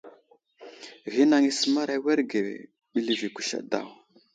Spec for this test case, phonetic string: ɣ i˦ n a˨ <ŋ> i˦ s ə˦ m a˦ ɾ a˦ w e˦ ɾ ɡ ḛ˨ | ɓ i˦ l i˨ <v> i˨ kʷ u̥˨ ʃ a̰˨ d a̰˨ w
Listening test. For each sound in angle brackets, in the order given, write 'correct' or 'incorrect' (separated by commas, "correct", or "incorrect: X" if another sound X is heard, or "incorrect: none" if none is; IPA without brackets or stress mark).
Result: correct, correct